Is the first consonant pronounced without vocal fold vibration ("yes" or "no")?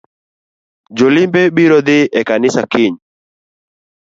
no